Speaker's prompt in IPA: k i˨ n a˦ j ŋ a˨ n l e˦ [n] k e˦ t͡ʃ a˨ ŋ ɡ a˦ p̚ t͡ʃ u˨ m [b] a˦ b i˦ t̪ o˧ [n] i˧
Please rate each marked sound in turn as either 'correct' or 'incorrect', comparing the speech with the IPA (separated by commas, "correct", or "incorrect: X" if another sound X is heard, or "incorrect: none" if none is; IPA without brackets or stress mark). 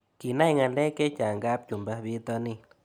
incorrect: none, correct, correct